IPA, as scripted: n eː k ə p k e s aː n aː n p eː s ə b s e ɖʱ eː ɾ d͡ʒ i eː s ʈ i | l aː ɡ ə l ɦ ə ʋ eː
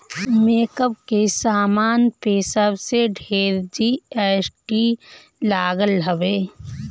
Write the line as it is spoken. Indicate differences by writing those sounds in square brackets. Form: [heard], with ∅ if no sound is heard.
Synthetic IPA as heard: [m] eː k ə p k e s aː [m] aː n p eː s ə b s e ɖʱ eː ɾ d͡ʒ i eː s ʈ i | l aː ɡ ə l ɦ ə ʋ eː